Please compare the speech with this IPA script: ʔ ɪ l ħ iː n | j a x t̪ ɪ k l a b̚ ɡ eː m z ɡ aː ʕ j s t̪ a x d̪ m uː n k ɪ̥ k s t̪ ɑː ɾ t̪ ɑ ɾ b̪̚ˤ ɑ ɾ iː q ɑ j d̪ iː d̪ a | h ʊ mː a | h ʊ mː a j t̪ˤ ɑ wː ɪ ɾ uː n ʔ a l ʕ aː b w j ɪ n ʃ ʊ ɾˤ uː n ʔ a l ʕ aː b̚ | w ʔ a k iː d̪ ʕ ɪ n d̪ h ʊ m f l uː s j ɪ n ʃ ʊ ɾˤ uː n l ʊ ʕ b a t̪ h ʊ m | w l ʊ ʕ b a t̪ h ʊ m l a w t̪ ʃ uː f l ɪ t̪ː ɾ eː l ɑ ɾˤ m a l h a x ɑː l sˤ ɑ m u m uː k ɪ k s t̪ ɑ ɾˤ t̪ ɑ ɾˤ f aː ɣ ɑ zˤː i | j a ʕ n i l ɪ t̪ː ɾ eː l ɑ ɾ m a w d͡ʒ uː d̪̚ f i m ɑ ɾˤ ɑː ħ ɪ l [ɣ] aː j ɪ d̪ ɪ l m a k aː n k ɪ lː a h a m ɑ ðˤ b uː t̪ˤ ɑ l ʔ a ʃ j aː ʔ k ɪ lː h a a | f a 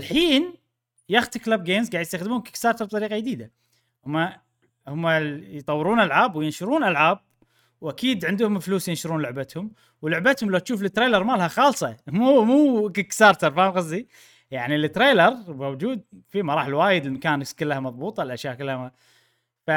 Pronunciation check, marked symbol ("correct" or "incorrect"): incorrect